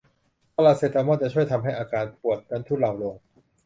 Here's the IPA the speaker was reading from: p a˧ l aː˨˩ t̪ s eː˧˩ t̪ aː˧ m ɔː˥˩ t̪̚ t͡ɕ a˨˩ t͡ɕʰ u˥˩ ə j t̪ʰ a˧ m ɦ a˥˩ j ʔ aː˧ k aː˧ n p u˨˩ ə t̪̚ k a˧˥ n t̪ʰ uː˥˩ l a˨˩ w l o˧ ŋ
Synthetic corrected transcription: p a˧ l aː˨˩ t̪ s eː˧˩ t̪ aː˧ m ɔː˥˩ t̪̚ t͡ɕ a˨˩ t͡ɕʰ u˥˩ ə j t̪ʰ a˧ m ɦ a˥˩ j ʔ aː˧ k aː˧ n p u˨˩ ə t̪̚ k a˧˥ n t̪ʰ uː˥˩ l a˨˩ w l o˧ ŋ